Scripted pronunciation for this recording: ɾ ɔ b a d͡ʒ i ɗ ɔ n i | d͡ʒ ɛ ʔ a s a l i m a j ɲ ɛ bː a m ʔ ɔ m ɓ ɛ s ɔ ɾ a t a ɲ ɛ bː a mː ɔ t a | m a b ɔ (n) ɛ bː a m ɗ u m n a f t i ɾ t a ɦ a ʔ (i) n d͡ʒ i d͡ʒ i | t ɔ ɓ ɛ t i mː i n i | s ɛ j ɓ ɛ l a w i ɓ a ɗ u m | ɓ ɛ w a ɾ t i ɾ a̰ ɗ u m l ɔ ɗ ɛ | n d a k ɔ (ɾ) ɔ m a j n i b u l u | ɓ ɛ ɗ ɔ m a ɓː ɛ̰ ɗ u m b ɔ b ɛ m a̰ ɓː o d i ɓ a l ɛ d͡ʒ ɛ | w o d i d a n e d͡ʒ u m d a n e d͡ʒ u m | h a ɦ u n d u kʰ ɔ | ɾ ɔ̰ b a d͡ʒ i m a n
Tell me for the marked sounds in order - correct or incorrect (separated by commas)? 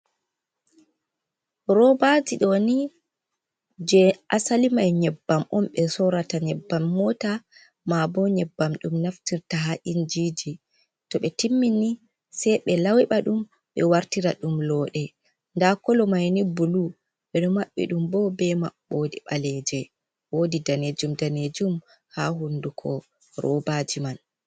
incorrect, correct, incorrect